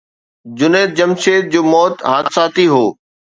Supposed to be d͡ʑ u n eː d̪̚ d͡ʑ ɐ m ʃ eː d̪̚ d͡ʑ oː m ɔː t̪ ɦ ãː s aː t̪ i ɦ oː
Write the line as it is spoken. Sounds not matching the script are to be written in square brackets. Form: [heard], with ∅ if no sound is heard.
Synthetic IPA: d͡ʑ [ʊ] n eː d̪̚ d͡ʑ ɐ m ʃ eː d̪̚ d͡ʑ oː m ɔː t̪ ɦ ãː s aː t̪ i ɦ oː